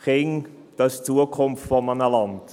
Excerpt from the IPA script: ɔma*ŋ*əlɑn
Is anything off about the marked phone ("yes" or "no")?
yes